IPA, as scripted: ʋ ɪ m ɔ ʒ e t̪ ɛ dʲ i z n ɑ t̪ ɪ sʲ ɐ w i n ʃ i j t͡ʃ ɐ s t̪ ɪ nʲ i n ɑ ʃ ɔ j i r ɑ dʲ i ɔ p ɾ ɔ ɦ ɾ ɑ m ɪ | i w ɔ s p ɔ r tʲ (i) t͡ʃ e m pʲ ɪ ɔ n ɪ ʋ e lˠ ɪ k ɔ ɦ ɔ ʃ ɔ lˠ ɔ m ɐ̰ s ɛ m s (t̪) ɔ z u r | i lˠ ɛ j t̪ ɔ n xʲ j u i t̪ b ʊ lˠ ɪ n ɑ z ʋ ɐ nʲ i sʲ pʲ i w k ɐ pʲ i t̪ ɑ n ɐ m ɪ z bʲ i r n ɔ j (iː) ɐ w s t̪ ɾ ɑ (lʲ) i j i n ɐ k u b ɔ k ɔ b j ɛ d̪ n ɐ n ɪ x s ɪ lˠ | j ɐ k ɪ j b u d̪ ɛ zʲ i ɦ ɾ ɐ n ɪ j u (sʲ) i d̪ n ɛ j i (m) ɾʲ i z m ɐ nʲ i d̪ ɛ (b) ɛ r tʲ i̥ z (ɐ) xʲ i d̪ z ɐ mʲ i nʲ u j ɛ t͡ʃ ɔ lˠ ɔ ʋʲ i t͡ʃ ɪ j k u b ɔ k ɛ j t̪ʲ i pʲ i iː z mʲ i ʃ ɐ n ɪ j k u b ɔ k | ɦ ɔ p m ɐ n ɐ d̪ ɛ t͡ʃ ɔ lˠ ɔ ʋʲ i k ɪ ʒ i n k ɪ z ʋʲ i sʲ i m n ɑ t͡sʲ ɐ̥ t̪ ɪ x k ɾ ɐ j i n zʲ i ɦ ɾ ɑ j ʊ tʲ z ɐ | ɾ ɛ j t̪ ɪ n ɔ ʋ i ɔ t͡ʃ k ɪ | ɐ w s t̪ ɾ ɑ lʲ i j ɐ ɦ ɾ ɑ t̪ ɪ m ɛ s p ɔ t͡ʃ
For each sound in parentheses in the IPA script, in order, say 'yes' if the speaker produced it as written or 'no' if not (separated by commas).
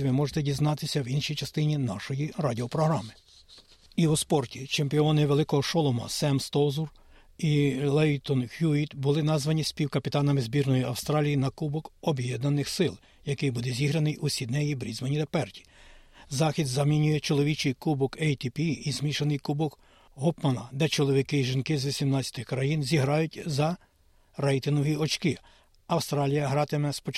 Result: yes, yes, no, yes, yes, no, no, no